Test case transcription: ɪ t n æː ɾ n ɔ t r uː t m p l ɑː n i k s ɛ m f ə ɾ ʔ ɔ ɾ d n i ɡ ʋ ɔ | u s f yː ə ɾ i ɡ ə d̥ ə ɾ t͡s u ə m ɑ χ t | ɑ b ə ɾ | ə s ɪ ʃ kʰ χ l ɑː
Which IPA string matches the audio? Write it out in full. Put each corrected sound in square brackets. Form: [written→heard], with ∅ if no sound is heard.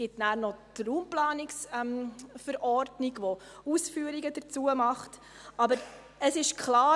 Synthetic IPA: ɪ t n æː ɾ n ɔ t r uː [t→∅] m p l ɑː n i k s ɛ m f ə ɾ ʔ ɔ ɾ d n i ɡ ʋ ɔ | u s f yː ə ɾ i ɡ ə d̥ ə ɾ t͡s u ə m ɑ χ t | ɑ b ə ɾ | ə s ɪ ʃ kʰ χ l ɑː